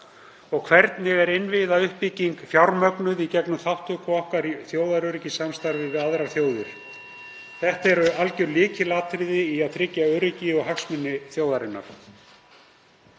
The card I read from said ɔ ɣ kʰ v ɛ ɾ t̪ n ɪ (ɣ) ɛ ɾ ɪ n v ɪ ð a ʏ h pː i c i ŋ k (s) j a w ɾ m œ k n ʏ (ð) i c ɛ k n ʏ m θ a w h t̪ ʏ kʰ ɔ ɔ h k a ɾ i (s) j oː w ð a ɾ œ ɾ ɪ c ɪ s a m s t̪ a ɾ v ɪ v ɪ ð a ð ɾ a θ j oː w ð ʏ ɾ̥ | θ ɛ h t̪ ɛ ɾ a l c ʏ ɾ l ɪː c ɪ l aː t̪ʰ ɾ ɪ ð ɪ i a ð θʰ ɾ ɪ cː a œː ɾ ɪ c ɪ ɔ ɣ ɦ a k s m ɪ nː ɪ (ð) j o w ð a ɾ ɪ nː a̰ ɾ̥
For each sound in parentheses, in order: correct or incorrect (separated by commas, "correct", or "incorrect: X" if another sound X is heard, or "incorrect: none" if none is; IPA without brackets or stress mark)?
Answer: correct, incorrect: f, correct, incorrect: θ, incorrect: θ